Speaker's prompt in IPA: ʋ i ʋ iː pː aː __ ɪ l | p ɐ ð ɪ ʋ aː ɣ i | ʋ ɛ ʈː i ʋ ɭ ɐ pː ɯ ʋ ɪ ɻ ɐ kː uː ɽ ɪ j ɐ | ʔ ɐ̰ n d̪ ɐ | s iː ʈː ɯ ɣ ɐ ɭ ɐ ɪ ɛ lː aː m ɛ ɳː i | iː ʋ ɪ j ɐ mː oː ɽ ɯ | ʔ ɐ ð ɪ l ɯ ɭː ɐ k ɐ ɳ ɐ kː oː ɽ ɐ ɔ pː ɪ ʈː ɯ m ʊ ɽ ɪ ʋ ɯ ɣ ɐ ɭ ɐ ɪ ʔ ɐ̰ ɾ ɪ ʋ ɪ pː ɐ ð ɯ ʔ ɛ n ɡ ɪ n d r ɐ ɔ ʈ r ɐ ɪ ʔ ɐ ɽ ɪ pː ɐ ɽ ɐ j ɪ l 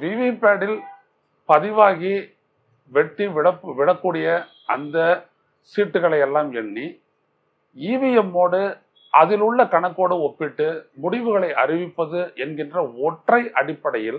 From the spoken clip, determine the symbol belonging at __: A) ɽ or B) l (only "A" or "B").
A